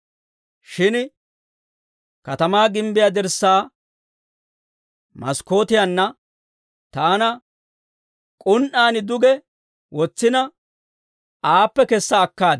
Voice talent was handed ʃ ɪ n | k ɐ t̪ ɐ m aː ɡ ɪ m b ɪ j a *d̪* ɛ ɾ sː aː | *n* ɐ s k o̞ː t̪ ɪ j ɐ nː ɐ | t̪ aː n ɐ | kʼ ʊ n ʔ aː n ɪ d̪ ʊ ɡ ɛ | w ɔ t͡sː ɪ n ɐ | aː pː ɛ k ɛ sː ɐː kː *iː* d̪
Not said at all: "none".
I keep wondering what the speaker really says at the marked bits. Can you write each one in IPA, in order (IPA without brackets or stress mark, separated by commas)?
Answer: d̪, m, aː